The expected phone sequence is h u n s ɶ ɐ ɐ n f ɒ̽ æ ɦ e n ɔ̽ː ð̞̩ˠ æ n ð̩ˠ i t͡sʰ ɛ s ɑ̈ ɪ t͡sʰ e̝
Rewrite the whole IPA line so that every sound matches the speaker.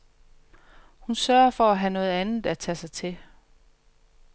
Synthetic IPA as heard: h u n s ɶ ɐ ɐ f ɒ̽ æ ɦ æ n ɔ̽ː ð̞̩ˠ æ n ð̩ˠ æ t͡sʰ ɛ s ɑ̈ ɪ t͡sʰ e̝